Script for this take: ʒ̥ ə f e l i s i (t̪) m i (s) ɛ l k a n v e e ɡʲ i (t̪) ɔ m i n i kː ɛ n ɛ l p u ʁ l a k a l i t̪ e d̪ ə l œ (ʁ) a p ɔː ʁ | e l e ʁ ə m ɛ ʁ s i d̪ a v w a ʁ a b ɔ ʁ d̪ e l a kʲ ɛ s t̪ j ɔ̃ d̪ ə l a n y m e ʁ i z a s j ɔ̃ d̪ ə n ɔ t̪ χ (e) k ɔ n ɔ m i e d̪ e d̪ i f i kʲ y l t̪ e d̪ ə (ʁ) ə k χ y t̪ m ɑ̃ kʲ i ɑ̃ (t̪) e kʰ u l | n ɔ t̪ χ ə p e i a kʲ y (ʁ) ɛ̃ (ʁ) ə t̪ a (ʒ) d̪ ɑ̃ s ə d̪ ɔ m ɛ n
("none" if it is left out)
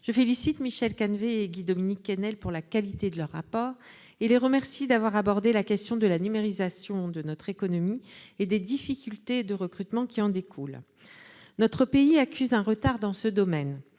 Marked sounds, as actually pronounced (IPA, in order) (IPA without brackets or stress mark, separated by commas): t̪, ʃ, d̪, ʁː, e, ʁ, d̪, z, ʁ, ʁ